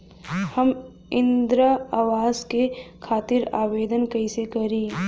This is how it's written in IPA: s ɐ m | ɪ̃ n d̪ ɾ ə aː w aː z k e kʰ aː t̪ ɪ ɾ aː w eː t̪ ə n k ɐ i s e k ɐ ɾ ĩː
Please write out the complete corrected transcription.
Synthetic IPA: h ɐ m | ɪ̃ n d̪ ɾ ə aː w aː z k e kʰ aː t̪ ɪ ɾ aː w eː d̪ ə n k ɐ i s e k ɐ ɾ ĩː